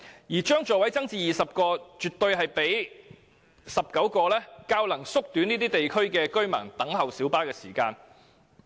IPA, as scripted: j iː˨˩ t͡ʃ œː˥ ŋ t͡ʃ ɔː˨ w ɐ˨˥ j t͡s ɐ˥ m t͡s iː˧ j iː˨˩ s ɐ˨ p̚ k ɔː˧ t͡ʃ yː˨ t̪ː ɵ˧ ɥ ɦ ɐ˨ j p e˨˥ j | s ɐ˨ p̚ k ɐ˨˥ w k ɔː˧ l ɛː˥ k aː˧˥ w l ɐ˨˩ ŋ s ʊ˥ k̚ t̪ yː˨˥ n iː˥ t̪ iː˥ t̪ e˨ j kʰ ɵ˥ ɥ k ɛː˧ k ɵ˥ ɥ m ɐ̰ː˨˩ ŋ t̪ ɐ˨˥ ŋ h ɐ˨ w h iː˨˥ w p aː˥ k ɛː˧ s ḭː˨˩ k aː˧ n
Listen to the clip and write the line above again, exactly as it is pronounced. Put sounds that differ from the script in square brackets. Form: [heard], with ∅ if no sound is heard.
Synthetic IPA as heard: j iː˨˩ t͡ʃ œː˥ ŋ t͡ʃ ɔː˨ w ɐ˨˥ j t͡s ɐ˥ [ŋ] t͡s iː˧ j iː˨˩ s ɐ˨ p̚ k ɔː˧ t͡ʃ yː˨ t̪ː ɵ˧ ɥ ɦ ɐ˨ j p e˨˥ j | s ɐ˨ p̚ k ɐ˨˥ w k ɔː˧ l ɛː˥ k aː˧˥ w l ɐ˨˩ ŋ s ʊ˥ k̚ t̪ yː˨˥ n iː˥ t̪ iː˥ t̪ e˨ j kʰ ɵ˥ ɥ k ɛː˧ k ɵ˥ ɥ m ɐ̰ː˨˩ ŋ t̪ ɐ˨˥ ŋ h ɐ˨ w [s] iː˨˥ w p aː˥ k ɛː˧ s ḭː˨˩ k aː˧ n

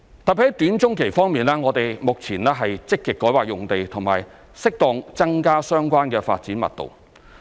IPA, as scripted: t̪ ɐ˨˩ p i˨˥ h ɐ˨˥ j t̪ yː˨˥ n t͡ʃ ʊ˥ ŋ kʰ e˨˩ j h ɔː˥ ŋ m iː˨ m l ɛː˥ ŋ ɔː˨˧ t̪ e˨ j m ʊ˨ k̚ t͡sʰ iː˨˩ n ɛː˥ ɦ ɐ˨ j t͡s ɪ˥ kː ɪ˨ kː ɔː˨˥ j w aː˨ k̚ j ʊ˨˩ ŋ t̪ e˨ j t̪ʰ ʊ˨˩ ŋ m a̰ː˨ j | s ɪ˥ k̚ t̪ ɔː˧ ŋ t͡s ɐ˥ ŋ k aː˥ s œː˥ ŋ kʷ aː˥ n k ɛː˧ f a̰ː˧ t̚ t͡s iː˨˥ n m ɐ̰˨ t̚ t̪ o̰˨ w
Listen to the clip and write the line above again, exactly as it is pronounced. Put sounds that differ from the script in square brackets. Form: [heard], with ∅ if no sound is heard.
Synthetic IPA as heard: t̪ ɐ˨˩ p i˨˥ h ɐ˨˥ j t̪ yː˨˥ n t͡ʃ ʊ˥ ŋ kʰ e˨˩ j [f] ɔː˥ ŋ m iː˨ [n] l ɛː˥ ŋ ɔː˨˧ t̪ e˨ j m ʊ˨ k̚ t͡sʰ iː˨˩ n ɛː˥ ɦ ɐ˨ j t͡s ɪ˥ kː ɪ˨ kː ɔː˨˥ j w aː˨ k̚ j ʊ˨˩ ŋ t̪ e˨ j t̪ʰ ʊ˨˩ ŋ m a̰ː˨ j | s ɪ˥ k̚ t̪ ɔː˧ ŋ t͡s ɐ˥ ŋ k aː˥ s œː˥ ŋ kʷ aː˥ n k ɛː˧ f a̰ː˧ t̚ t͡s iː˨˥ n m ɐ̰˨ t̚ t̪ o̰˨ w

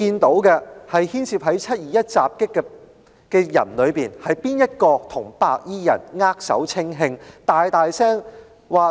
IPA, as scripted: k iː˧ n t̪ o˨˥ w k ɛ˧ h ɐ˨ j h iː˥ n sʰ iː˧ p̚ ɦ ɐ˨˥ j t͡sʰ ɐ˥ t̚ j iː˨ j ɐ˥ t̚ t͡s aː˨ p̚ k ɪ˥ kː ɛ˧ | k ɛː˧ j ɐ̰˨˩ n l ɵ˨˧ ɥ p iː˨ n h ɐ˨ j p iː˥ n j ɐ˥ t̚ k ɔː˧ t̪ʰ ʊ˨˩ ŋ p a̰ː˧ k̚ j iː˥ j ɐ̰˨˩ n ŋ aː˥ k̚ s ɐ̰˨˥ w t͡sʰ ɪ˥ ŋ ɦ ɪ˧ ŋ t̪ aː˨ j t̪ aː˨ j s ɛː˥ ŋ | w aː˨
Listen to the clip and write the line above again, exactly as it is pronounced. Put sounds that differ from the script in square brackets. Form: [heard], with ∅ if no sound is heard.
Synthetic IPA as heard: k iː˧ n t̪ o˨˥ w k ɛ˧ h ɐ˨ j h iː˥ n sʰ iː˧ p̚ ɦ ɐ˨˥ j t͡sʰ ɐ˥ t̚ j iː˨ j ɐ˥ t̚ t͡s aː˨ p̚ k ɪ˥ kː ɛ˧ | k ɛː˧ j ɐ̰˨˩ n l ɵ˨˧ ɥ p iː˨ n h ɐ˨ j p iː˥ n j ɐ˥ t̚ k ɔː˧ t̪ʰ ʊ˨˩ ŋ p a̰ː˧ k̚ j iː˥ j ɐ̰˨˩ n ŋ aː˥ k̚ s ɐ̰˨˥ w t͡sʰ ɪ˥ ŋ ɦ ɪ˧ ŋ t̪ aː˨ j t̪ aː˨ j s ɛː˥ ŋ | w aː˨

